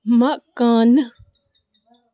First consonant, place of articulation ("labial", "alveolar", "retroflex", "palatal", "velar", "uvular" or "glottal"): labial